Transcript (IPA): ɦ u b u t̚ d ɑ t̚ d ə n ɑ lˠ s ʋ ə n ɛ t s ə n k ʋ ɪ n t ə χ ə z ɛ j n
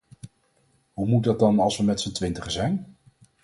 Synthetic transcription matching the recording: ɦ u m u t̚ d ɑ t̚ d ɑ n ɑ lˠ s ʋ ə m ɛ t s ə n t ʋ ɪ n t ə χ ə z ɛ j n